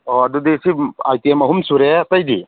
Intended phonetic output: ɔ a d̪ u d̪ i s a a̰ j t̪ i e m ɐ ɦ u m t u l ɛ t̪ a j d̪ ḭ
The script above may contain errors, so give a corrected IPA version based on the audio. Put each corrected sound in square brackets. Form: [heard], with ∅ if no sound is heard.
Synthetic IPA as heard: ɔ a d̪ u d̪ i s [i] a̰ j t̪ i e m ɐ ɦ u m [s] u [ɾ] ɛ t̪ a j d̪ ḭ